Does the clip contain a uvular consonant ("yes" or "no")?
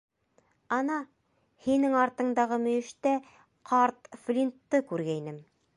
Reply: yes